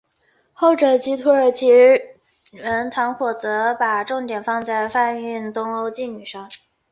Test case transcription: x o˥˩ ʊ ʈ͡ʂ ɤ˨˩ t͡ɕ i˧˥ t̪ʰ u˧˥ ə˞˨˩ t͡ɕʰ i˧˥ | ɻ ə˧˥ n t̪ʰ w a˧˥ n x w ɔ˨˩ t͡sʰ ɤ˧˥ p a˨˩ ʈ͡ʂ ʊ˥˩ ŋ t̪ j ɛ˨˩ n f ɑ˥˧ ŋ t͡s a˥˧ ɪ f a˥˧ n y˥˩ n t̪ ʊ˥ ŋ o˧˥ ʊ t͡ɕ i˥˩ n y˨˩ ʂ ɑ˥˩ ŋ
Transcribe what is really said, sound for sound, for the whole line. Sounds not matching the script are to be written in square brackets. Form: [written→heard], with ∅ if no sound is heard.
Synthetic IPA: x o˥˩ ʊ ʈ͡ʂ ɤ˨˩ t͡ɕ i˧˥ t̪ʰ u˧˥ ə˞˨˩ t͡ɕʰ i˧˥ | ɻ ə˧˥ n t̪ʰ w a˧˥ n x w ɔ˨˩ [t͡sʰ→t͡s] ɤ˧˥ p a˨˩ ʈ͡ʂ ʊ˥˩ ŋ t̪ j ɛ˨˩ n f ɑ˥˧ ŋ t͡s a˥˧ ɪ f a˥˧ n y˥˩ n t̪ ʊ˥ ŋ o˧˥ ʊ t͡ɕ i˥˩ n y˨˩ ʂ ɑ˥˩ ŋ